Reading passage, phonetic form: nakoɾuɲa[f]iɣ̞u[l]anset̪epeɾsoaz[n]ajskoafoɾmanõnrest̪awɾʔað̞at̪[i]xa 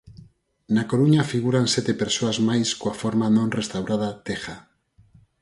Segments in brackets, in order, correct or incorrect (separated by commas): correct, incorrect, incorrect, incorrect